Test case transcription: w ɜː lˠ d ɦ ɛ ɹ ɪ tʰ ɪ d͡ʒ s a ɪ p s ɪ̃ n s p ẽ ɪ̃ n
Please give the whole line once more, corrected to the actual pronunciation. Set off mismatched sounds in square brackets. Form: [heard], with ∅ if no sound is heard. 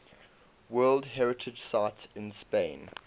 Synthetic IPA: w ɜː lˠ d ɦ ɛ ɹ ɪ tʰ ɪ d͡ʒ s a ɪ [t] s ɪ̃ n s p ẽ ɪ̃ n